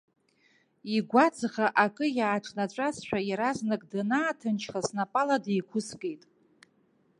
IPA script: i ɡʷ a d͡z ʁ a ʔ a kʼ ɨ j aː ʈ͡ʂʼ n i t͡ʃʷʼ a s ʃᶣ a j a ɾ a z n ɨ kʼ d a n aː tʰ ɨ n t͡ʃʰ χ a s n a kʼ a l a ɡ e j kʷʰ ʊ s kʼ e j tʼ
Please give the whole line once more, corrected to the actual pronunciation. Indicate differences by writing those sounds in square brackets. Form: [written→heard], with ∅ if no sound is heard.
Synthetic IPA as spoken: i ɡʷ a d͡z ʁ a ʔ a kʼ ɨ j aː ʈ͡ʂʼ n [i→a] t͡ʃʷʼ a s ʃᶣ a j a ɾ a z n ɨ kʼ d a n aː tʰ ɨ n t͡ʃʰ χ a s n a [kʼ→pʼ] a l a [ɡ→d] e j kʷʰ ʊ s kʼ e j tʼ